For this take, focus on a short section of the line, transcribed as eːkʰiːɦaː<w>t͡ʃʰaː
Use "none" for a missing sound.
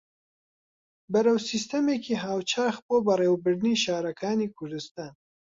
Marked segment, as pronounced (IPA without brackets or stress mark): w